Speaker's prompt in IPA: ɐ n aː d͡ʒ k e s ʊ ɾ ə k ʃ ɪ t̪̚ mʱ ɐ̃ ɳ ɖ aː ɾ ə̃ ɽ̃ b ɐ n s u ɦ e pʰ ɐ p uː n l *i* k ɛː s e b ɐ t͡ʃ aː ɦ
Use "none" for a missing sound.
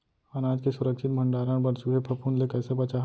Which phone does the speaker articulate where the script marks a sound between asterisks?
e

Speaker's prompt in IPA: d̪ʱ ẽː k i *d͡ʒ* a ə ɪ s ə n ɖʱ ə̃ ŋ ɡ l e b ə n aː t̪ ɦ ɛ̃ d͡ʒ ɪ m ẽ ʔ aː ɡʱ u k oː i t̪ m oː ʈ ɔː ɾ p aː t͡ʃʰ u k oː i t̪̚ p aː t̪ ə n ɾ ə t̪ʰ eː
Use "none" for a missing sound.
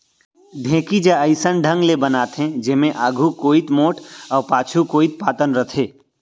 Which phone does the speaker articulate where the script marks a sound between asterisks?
d͡ʒ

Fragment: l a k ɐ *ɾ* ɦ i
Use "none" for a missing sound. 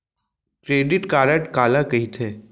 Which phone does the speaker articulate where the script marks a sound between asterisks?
none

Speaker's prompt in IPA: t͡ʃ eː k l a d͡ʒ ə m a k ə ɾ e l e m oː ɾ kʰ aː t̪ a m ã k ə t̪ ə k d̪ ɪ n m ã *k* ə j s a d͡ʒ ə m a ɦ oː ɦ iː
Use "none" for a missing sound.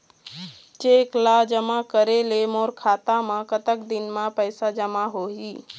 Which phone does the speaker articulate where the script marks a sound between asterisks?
p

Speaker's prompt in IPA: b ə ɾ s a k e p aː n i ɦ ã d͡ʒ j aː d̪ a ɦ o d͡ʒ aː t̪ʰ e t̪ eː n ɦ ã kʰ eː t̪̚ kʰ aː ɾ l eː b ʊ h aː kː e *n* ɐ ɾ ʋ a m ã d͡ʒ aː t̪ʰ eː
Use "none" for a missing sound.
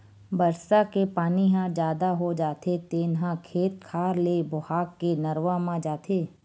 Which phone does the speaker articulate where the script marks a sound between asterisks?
n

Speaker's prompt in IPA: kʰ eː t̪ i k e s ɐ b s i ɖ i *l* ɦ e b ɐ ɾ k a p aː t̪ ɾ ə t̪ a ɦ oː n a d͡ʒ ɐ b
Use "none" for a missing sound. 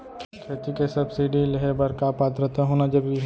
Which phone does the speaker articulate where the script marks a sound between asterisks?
l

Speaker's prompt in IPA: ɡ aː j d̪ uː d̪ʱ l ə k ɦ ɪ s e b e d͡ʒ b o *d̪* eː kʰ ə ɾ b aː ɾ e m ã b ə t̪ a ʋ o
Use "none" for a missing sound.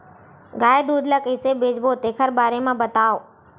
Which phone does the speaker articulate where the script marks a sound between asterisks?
t̪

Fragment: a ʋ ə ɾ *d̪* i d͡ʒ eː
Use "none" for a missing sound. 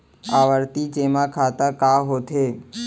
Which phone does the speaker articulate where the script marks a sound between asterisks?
t̪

